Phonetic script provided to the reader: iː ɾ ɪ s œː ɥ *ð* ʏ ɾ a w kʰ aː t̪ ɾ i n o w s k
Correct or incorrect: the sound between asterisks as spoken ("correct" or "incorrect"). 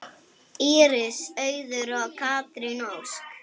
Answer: correct